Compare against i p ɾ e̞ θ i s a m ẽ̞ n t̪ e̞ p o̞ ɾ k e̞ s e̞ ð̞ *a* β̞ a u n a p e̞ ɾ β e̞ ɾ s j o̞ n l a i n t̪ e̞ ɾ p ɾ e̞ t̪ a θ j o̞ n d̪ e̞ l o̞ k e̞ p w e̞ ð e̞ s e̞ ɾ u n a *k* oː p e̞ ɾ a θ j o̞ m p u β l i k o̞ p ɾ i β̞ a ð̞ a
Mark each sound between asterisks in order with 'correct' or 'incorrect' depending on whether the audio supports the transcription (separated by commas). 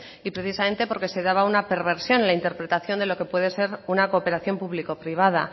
correct, correct